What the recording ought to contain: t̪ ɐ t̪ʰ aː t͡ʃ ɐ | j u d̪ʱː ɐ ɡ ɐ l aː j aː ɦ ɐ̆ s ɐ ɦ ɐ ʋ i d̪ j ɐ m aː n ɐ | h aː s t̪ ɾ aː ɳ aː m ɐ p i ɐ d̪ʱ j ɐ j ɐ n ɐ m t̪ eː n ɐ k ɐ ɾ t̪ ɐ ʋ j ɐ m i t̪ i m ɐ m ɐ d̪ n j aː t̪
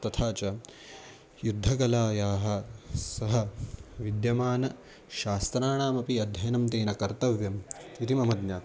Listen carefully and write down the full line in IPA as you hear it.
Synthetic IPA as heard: t̪ ɐ t̪ʰ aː t͡ʃ ɐ | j u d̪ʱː ɐ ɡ ɐ l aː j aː ɦ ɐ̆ s ɐ ɦ ɐ ʋ i d̪ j ɐ m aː n ɐ | ʃ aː s t̪ ɾ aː ɳ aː m ɐ p i ɐ d̪ʱ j ɐ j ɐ n ɐ m t̪ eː n ɐ k ɐ ɾ t̪ ɐ ʋ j ɐ m i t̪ i m ɐ m ɐ d̪ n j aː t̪

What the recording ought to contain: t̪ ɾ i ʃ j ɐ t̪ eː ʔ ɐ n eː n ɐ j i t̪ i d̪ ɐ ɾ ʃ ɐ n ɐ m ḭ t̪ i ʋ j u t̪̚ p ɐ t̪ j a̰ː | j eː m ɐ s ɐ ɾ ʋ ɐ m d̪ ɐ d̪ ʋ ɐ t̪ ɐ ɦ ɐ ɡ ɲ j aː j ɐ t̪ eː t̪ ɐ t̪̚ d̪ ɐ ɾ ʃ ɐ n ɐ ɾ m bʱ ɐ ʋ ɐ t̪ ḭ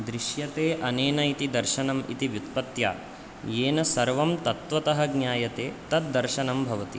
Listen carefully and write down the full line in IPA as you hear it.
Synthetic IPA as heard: d̪ ɾ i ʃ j ɐ t̪ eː ʔ ɐ n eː n ɐ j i t̪ i d̪ ɐ ɾ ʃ ɐ n ɐ m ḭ t̪ i ʋ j u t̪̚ p ɐ t̪ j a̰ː | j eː n ɐ s ɐ ɾ ʋ ɐ m t̪ ɐ t̪ ʋ ɐ t̪ ɐ ɦ ɐ ɡ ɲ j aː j ɐ t̪ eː t̪ ɐ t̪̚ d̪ ɐ ɾ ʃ ɐ n ɐ m bʱ ɐ ʋ ɐ t̪ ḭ

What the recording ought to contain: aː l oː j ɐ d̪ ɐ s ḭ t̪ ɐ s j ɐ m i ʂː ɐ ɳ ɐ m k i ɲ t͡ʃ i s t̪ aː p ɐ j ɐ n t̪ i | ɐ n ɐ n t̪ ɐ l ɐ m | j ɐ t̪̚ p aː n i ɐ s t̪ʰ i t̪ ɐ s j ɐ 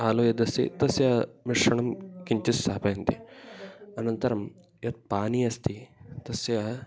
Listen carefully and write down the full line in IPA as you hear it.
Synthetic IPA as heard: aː l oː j ɐ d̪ ɐ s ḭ t̪ ɐ s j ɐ m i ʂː ɐ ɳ ɐ m k i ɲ t͡ʃ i s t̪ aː p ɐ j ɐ n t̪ i | ɐ n ɐ n t̪ ɐ ɾ ɐ m | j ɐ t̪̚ p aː n i ɐ s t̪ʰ i t̪ ɐ s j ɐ

